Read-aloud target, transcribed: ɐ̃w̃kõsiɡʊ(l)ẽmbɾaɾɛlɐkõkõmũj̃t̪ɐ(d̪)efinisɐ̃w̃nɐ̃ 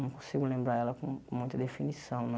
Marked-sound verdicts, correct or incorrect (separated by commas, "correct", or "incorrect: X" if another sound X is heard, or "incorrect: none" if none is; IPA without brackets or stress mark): correct, correct